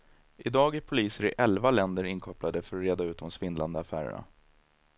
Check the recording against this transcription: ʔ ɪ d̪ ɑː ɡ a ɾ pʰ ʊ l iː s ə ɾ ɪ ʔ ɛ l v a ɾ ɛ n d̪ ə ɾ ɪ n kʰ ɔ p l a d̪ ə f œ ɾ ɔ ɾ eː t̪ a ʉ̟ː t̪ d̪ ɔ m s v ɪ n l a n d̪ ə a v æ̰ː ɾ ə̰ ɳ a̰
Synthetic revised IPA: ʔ ɪ d̪ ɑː ɡ æ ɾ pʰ ʊ l iː s ə ɾ ɪ ʔ ɛ l v a l ɛ n d̪ ə ɾ ɪ n kʰ ɔ p l a d̪ ə f œ ɾ ɔ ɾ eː d̪ a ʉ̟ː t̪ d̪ ɔ m s v ɪ n l a n d̪ ə a f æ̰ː ɾ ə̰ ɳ a̰